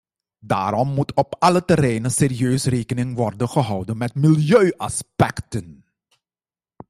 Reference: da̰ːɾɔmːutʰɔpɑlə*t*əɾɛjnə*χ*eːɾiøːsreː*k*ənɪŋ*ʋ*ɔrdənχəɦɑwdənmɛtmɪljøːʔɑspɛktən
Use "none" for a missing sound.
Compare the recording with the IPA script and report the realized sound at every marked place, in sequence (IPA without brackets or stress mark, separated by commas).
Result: t, s, k, ʋ